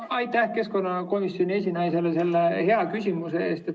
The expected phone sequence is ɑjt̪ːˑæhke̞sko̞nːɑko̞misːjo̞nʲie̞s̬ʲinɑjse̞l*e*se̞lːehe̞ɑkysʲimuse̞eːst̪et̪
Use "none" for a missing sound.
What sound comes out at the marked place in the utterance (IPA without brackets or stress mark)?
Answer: e